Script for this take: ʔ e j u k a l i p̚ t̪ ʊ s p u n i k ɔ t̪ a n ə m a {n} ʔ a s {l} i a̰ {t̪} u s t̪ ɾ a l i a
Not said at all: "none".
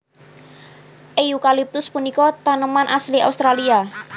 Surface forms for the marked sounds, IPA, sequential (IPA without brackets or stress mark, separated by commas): n, l, none